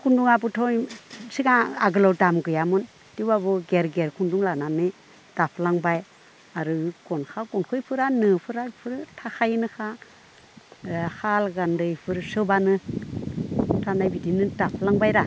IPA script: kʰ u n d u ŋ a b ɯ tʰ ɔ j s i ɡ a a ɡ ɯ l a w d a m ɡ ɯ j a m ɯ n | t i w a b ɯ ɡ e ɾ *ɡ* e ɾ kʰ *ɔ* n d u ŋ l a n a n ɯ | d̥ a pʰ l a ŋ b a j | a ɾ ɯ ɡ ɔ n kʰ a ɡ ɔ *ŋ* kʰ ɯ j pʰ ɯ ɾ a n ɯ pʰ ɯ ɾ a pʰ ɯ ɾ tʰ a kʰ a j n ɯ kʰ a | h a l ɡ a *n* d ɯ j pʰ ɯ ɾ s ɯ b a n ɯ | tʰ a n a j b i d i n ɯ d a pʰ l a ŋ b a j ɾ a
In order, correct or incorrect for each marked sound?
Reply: correct, incorrect, incorrect, correct

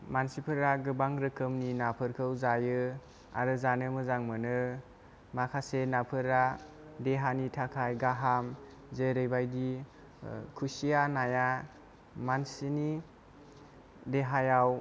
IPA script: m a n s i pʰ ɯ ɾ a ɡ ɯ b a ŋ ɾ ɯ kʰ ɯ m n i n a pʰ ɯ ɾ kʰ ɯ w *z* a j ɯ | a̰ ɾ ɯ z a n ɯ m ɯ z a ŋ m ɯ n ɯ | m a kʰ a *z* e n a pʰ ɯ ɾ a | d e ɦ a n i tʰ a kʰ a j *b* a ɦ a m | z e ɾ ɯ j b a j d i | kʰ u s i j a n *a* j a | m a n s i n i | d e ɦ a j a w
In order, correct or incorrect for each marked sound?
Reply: correct, incorrect, incorrect, correct

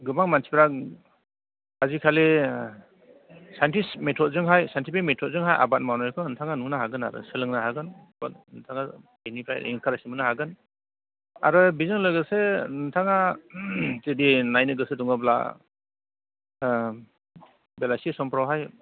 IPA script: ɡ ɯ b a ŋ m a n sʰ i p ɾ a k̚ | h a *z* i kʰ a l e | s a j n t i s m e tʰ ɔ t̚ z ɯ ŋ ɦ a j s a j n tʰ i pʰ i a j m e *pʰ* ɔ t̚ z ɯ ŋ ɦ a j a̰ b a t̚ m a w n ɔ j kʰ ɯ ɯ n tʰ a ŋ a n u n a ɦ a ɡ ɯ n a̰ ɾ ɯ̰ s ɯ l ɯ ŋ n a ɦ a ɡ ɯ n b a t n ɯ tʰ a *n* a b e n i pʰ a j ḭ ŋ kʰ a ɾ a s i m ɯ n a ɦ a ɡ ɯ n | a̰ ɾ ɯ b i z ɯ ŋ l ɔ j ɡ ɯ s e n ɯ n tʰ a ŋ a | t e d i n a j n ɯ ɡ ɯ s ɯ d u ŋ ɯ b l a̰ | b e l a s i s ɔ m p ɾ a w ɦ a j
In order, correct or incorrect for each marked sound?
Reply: correct, incorrect, incorrect

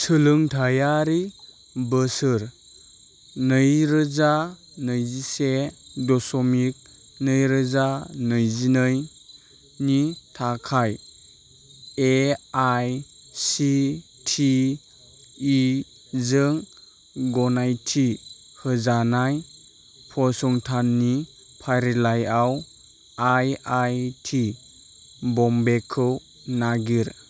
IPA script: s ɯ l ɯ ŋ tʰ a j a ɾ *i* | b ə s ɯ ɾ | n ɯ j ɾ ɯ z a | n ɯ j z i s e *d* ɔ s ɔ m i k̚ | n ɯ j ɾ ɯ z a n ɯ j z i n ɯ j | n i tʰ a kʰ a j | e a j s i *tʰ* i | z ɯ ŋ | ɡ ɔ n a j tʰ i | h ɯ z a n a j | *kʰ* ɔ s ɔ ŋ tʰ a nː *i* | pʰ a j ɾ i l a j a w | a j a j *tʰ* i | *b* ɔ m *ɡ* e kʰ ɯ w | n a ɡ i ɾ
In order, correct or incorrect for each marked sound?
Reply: correct, correct, correct, incorrect, correct, correct, correct, incorrect

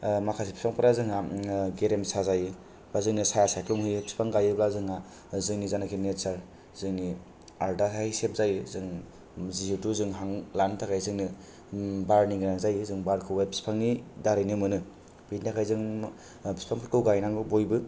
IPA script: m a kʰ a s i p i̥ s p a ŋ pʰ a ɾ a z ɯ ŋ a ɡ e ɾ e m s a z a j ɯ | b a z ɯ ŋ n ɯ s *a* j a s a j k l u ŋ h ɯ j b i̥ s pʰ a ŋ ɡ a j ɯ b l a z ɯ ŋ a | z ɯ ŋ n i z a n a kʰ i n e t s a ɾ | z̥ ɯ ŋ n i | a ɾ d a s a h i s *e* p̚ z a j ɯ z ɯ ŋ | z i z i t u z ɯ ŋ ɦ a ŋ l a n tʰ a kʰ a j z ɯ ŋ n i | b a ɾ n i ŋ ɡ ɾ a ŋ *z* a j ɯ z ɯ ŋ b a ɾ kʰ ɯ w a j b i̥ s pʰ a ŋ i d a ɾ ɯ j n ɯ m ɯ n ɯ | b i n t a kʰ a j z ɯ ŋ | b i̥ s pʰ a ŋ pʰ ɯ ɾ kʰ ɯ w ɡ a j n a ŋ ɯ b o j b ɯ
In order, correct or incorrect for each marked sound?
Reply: correct, correct, correct

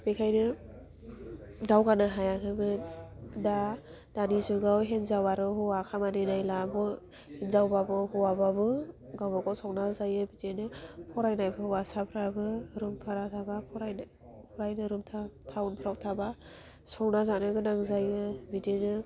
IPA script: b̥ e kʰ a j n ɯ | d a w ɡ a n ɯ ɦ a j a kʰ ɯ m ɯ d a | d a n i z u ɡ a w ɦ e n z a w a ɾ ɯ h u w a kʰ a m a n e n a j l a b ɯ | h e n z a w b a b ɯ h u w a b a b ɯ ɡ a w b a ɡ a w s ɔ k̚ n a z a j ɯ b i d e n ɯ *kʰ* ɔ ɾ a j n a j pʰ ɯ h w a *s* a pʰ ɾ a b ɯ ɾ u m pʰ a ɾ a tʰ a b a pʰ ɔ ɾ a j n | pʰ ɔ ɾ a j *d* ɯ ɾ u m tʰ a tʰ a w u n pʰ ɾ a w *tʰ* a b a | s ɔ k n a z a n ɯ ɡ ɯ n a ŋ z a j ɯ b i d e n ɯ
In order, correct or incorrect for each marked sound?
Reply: incorrect, correct, incorrect, correct

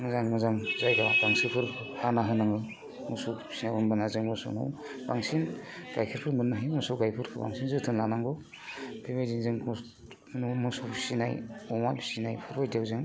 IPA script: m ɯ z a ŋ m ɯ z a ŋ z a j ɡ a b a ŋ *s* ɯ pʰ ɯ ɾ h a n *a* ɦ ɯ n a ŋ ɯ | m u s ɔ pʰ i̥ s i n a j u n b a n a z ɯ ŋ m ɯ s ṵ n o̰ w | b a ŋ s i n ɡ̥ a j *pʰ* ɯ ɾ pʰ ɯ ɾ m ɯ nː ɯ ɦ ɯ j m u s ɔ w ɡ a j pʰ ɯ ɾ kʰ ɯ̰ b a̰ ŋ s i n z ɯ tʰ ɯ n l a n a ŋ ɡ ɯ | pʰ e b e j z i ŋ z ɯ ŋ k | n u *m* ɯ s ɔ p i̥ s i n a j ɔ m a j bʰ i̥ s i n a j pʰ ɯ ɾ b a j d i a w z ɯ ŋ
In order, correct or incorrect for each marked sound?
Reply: correct, correct, incorrect, correct

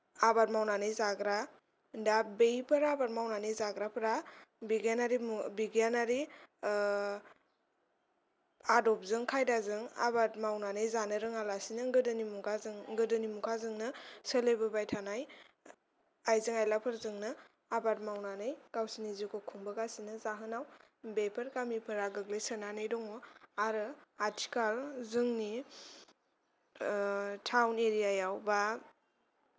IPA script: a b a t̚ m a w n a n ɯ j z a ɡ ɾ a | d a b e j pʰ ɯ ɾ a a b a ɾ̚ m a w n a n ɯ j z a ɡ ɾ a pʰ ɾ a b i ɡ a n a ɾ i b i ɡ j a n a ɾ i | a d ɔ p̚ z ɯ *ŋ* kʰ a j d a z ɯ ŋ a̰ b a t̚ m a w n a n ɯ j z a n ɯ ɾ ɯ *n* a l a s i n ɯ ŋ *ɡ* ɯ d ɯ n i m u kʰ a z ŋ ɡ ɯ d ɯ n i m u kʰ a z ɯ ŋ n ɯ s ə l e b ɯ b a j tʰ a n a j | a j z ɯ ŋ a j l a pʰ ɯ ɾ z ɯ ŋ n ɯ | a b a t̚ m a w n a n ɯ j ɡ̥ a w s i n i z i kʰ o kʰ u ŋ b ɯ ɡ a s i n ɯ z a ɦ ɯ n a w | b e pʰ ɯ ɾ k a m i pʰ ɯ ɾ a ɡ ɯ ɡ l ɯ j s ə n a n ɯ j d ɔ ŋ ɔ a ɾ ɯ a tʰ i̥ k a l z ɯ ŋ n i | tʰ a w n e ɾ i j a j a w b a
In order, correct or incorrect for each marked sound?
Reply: correct, incorrect, correct

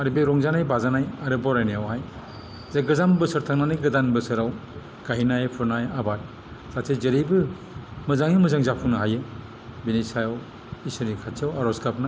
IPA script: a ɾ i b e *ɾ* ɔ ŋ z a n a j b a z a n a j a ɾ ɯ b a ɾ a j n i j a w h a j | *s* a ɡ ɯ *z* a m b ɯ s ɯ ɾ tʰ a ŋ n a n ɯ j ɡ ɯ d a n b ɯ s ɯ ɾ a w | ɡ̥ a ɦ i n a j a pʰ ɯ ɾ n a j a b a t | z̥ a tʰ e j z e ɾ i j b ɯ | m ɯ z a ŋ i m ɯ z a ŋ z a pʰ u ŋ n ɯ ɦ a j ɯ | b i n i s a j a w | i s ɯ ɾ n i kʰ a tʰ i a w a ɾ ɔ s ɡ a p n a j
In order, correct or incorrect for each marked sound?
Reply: correct, incorrect, correct

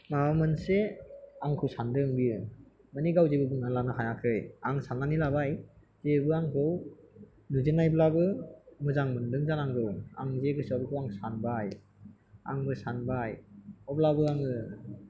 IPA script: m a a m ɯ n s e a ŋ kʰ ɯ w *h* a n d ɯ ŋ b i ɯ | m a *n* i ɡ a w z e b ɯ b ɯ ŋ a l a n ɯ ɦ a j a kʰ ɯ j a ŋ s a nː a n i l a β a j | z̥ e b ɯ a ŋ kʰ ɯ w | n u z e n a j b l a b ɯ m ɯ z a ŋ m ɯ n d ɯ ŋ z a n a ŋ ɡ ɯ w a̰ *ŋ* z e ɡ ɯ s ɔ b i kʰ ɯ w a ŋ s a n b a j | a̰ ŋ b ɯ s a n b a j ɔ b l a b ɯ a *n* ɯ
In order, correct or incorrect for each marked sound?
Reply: incorrect, correct, correct, incorrect

